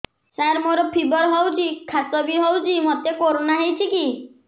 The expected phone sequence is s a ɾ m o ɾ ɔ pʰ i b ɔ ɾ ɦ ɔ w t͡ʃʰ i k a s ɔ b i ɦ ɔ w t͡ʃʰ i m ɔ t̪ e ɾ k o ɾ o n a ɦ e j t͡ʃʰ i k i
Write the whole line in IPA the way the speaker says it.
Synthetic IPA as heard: s a ɾ m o ɾ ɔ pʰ i b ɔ ɾ ɦ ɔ w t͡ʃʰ i kʰ a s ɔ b i ɦ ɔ w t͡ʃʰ i m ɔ t̪ e k o ɾ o n a ɦ e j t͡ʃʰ i k i